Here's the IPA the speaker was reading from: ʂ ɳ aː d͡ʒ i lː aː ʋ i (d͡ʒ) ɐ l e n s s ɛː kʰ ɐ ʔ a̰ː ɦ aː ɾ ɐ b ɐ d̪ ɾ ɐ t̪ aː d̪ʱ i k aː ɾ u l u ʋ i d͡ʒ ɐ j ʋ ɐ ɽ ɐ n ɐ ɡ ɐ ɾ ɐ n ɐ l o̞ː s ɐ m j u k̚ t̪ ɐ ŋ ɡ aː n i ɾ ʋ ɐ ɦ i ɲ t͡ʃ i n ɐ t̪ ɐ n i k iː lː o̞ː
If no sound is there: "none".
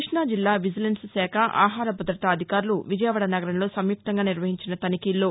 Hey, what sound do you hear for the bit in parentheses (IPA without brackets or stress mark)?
d͡ʒ